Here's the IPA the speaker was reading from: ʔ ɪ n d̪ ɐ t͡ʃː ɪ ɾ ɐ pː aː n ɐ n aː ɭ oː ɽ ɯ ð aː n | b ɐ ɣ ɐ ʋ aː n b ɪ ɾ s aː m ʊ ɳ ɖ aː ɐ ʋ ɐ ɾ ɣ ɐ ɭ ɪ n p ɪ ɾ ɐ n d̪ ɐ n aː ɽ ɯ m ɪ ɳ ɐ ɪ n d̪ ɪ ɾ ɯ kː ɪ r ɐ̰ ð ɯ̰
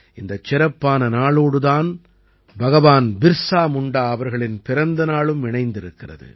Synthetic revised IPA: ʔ ɪ n d̪ ɐ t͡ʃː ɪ ɾ ɐ pː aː n ɐ n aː ɭ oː ɽ ɯ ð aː n | b ɐ ɣ ɐ ʋ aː n b ɪ ɾ s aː m ʊ ɳ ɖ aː ɐ ʋ ɐ ɾ ɣ ɐ ɭ ɪ n p ɪ ɾ ɐ n d̪ ɐ n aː ɭ ɯ m ɪ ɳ ɐ ɪ n d̪ ɪ ɾ ɯ kː ɪ r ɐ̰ ð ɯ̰